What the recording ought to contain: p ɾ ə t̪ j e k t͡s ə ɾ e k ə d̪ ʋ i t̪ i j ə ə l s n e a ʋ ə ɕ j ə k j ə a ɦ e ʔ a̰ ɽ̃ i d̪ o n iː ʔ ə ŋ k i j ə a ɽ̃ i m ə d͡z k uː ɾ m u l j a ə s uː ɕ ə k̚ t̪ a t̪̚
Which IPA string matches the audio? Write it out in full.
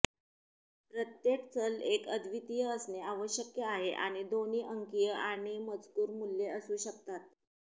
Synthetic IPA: p ɾ ə t̪ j e k t͡s ə l e k ə d̪ ʋ i t̪ i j ə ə s n e a ʋ ə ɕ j ə k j ə a ɦ e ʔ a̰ ɽ̃ i d̪ o n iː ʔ ə ŋ k i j ə a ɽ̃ i m ə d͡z k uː ɾ m u l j e ə s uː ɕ ə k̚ t̪ a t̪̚